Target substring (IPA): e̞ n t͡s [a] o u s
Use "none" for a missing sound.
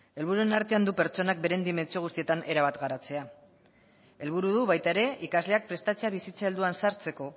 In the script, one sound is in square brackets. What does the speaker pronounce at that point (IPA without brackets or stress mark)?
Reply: i